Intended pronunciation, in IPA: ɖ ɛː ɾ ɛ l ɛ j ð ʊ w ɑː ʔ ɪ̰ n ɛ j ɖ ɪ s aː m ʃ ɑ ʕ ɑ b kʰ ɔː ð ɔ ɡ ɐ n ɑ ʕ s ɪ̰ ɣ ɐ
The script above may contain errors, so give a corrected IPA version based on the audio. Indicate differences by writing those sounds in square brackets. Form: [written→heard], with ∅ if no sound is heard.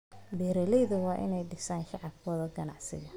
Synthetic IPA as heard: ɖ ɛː ɾ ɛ l ɛ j ð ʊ w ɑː ʔ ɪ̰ n ɛ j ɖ ɪ s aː [m→n] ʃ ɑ ʕ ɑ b kʰ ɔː ð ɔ ɡ ɐ n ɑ ʕ s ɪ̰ ɣ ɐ